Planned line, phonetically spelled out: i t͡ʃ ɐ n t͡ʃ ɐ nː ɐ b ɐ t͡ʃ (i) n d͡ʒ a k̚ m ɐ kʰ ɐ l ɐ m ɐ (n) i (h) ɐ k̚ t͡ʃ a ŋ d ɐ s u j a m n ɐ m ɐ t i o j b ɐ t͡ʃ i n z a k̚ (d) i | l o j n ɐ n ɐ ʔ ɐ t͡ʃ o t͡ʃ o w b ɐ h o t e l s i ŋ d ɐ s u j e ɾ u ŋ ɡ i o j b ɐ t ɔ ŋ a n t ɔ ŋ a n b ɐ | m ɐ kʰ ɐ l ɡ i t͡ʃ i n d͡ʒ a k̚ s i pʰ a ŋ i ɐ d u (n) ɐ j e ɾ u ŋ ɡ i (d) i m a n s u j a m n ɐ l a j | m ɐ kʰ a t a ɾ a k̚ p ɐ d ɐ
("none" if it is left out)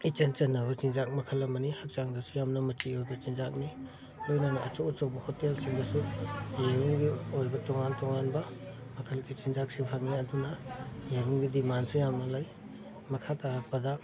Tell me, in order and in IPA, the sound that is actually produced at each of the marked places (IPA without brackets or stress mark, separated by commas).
i, n, h, n, n, d